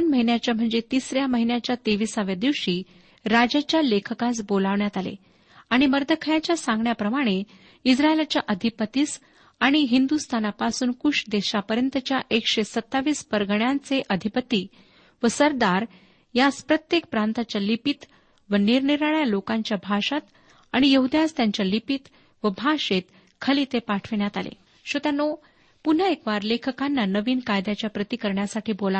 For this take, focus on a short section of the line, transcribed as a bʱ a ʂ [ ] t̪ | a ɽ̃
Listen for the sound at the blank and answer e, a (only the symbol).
a